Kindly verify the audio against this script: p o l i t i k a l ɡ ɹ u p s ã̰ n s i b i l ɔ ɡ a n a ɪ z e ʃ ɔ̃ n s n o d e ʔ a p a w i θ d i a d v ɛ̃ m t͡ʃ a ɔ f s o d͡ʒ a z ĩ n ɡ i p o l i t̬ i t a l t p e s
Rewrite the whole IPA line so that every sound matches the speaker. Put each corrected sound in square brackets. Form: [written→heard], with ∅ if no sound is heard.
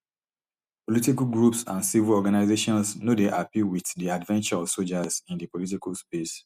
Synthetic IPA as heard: p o l i t i k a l ɡ ɹ u p s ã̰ n s i [b→v] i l ɔ ɡ a n a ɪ z e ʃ ɔ̃ n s n o d e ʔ a p [a→i] w i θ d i a d v ɛ̃ [m→n] t͡ʃ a ɔ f s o d͡ʒ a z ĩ n [ɡ→d] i p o l i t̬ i [t→k] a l [t→s] p e s